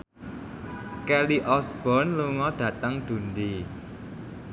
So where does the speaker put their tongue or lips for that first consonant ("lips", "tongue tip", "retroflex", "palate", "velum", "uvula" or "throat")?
velum